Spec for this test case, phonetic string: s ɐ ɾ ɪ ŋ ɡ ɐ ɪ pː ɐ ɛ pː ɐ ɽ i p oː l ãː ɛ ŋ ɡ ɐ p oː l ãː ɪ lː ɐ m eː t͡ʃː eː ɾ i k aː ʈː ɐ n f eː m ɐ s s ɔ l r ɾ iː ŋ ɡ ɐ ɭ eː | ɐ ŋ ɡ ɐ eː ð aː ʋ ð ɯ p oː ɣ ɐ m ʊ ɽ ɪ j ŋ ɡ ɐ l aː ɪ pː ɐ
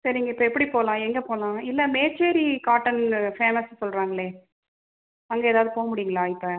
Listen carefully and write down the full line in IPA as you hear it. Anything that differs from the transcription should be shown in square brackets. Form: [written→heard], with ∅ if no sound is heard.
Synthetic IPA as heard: s ɐ ɾ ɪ ŋ ɡ ɐ ɪ pː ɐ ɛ pː ɐ ɽ i p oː l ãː ɛ ŋ ɡ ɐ p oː l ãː ɪ lː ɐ m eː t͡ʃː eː ɾ i k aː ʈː ɐ n f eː m ɐ s s ɔ l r ɾ [iː→aː] ŋ ɡ ɐ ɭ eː | ɐ ŋ ɡ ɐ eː ð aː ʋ ð ɯ p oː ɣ ɐ m ʊ ɽ ɪ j ŋ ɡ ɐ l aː ɪ pː ɐ

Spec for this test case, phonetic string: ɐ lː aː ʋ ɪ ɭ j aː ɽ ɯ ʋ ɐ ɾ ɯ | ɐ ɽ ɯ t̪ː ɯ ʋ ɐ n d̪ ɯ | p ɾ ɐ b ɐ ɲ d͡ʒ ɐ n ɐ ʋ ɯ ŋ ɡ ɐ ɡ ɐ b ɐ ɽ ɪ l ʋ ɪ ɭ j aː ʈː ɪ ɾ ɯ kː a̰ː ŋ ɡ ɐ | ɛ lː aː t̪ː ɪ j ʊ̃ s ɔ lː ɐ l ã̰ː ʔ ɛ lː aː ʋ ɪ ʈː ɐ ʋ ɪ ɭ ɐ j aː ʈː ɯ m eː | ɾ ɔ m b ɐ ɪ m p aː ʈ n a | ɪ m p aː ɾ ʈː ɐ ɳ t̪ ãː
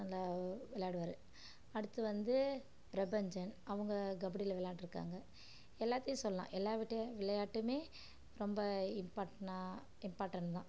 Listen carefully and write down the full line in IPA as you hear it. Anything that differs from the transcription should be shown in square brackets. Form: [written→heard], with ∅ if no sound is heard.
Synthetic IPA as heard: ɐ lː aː ʋ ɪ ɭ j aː ɽ ɯ ʋ ɐ ɾ ɯ | ɐ ɽ ɯ t̪ː ɯ ʋ ɐ n d̪ ɯ | p ɾ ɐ b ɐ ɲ d͡ʒ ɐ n ɐ ʋ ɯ ŋ ɡ ɐ ɡ ɐ b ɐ ɽ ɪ l ʋ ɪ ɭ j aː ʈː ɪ ɾ ɯ kː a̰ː ŋ ɡ ɐ | ɛ lː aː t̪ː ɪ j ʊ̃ s ɔ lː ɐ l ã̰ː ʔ ɛ lː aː ʋ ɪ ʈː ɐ ʋ ɪ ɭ ɐ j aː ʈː ɯ m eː | ɾ ɔ m b ɐ ɪ m p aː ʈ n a | ɪ m p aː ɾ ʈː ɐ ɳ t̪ ãː

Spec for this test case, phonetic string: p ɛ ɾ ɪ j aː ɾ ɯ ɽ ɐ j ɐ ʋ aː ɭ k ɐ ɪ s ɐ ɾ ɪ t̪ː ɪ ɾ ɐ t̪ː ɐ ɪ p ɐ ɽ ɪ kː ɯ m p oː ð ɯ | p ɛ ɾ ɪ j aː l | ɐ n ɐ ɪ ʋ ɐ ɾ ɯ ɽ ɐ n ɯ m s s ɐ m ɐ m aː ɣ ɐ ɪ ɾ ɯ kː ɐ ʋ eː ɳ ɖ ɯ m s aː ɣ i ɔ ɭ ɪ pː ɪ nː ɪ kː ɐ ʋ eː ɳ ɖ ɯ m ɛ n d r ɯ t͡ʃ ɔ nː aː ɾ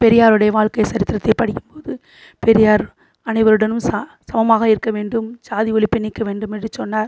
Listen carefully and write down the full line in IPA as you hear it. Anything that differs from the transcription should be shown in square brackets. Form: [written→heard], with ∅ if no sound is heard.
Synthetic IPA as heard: p ɛ ɾ ɪ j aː ɾ ɯ ɽ ɐ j ɐ ʋ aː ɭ k ɐ ɪ s ɐ ɾ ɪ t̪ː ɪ ɾ ɐ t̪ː ɐ ɪ p ɐ ɽ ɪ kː ɯ m p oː ð ɯ | p ɛ ɾ ɪ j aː [l→ɾ] | ɐ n ɐ ɪ ʋ ɐ ɾ ɯ ɽ ɐ n ɯ m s s ɐ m ɐ m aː ɣ ɐ ɪ ɾ ɯ kː ɐ ʋ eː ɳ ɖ ɯ m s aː [ɣ→ð] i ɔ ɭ ɪ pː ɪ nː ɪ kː ɐ ʋ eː ɳ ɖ ɯ m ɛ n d r ɯ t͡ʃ ɔ nː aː ɾ

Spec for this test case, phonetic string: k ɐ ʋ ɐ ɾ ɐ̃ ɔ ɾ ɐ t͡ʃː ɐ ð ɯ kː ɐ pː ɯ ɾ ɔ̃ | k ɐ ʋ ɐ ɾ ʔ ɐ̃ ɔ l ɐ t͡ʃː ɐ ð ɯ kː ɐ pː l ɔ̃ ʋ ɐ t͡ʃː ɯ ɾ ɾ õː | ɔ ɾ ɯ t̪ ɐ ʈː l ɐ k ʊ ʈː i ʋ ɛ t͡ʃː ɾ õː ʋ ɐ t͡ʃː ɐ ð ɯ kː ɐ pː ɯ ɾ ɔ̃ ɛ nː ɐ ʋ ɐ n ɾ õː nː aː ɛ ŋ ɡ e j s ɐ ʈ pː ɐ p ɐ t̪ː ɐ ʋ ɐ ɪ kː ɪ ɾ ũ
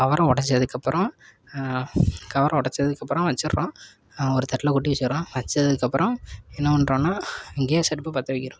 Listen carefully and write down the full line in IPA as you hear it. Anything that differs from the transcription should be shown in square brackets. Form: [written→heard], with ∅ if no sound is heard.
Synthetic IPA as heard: k ɐ ʋ ɐ ɾ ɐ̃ ɔ [ɾ→ɽ] ɐ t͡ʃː ɐ ð ɯ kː ɐ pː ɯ ɾ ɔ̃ | k ɐ ʋ ɐ ɾ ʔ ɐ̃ ɔ [l→ɽ] ɐ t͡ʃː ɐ ð ɯ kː ɐ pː [l→ɾ] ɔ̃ ʋ ɐ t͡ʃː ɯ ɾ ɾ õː | ɔ ɾ ɯ t̪ ɐ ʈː l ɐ k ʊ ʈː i ʋ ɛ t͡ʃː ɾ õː ʋ ɐ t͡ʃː ɐ ð ɯ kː ɐ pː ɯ ɾ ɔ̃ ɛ nː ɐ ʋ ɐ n ɾ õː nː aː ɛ ŋ ɡ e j s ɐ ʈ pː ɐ p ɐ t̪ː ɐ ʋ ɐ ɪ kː ɪ ɾ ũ

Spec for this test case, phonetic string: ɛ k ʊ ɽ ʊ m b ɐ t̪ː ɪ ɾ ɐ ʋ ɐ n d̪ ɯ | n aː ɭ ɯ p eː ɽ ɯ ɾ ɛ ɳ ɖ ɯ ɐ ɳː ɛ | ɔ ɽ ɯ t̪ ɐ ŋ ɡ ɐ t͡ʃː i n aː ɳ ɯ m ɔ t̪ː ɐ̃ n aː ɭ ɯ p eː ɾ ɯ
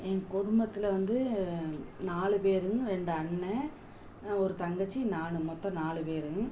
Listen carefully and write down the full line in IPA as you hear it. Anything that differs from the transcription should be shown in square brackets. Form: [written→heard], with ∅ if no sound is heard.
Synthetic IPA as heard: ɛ k ʊ ɽ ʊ m b ɐ t̪ː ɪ [ɾ→l] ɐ ʋ ɐ n d̪ ɯ | n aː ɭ ɯ p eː [ɽ→ɾ] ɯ ɾ ɛ ɳ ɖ ɯ ɐ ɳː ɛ | ɔ [ɽ→ɾ] ɯ t̪ ɐ ŋ ɡ ɐ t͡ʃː i n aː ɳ ɯ m ɔ t̪ː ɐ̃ n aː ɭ ɯ p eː ɾ ɯ

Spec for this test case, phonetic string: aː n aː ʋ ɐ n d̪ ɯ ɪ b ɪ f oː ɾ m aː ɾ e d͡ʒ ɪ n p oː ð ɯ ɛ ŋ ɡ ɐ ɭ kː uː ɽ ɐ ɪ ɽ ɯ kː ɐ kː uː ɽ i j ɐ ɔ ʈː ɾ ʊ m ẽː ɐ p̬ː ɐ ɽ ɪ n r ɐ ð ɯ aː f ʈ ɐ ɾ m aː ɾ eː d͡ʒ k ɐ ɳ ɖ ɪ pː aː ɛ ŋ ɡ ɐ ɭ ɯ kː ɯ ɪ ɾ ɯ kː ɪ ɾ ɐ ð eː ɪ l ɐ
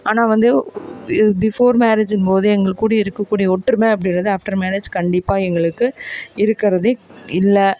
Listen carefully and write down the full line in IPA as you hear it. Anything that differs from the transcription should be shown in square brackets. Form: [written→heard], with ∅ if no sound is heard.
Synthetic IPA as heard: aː n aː ʋ ɐ n d̪ ɯ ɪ b ɪ f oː ɾ m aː ɾ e d͡ʒ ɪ n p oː ð ɯ ɛ ŋ ɡ ɐ ɭ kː uː ɽ ɐ ɪ [ɽ→ɾ] ɯ kː ɐ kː uː ɽ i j ɐ ɔ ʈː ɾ [ʊ→ɯ] m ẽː ɐ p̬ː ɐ ɽ ɪ n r ɐ ð ɯ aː f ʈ ɐ ɾ m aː ɾ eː d͡ʒ k ɐ ɳ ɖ ɪ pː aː ɛ ŋ ɡ ɐ ɭ ɯ kː ɯ ɪ ɾ ɯ kː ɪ ɾ ɐ ð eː ɪ [l→lː] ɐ

